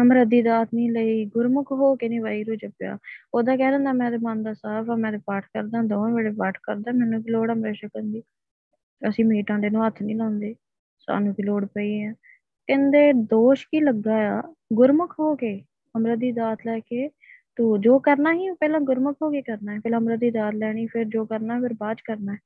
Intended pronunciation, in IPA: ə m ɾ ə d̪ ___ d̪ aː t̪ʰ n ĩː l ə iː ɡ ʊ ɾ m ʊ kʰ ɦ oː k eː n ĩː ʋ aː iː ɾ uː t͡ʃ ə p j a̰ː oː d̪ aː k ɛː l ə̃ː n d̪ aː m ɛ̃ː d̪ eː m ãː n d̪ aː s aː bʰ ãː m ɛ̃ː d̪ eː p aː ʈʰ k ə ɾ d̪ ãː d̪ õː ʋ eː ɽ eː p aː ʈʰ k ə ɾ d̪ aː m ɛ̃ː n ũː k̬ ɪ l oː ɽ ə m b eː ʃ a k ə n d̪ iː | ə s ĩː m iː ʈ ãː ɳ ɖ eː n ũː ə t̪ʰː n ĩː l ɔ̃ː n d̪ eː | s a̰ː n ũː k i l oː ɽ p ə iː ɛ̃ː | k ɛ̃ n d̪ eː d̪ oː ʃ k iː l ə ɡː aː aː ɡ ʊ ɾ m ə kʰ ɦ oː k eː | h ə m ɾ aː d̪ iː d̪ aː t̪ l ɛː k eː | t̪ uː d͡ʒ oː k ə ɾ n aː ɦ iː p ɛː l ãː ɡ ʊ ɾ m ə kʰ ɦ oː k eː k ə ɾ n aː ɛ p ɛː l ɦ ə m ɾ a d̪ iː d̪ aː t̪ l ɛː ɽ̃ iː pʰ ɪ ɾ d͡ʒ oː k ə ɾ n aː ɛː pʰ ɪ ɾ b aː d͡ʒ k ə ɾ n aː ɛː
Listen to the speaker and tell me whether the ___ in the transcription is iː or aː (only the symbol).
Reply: iː